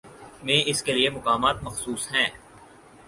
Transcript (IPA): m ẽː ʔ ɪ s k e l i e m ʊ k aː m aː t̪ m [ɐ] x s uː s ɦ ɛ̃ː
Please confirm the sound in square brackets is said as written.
yes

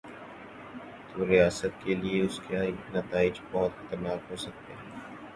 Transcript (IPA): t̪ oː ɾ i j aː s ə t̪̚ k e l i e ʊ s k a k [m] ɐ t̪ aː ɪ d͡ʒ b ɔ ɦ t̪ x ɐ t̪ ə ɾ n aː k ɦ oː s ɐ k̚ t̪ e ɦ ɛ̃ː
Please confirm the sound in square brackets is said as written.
no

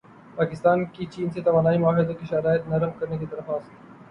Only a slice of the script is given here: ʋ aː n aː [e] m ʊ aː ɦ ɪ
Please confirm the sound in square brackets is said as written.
no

